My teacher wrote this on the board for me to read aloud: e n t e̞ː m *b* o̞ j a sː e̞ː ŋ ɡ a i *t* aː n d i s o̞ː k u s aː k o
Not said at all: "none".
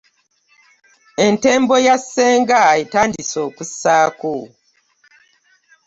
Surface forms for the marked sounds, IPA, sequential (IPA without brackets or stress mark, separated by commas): b, t